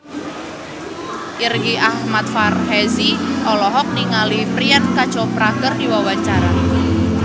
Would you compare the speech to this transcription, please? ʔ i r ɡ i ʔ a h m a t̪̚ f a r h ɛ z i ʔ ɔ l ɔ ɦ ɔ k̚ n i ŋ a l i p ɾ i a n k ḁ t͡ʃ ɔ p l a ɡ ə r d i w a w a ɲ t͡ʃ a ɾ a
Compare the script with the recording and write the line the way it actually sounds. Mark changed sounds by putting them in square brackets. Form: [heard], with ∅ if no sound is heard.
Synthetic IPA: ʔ i r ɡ i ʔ a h m a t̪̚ f a r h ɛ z i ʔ ɔ l ɔ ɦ ɔ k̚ n i ŋ a l i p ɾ i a n k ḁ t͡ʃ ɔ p [ɾ] a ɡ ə r d i w a w a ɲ t͡ʃ a ɾ a